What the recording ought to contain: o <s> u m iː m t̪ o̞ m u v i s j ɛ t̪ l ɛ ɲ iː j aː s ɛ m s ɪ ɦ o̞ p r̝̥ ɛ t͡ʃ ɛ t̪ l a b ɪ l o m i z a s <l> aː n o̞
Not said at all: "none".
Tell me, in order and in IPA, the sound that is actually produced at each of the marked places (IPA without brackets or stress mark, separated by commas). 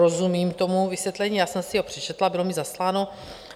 z, l